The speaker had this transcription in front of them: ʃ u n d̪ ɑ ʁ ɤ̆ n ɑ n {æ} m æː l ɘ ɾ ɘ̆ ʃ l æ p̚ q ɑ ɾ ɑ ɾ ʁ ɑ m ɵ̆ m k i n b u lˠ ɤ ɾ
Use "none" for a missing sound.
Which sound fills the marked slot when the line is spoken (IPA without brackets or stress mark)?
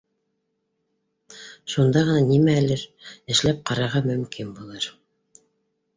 i